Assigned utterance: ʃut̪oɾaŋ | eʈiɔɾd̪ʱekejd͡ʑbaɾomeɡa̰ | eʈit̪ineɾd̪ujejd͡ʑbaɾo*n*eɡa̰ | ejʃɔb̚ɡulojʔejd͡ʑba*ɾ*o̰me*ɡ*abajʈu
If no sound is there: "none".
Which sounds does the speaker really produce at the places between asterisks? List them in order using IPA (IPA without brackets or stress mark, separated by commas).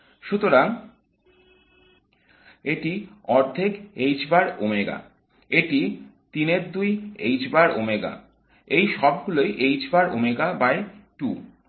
m, ɾ, ɡ